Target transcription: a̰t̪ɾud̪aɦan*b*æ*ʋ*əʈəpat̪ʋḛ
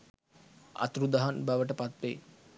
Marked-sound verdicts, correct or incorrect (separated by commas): correct, correct